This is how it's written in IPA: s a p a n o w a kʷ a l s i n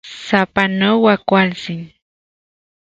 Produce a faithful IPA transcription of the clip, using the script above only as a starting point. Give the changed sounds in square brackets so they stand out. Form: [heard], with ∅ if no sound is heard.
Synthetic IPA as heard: s a p a n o w a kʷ a l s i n